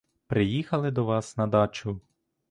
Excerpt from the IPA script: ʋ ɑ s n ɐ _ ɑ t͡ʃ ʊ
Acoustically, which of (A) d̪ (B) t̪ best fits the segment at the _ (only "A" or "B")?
A